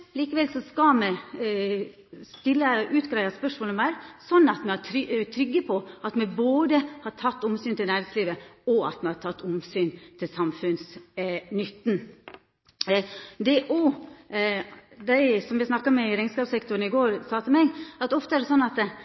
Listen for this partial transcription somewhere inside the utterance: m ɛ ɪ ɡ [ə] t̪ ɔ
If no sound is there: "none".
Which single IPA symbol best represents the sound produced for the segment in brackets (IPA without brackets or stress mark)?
ɑ